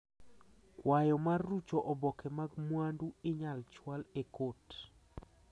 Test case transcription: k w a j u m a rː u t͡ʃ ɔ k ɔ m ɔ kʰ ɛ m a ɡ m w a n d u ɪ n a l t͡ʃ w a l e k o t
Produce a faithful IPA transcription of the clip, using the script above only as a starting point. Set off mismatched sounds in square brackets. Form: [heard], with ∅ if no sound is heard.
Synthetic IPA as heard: k w a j [ɔ] m a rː u t͡ʃ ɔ [ʔ] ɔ [b] ɔ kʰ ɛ m a ɡ m w a n d u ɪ [ɲ] a l t͡ʃ w a l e k o t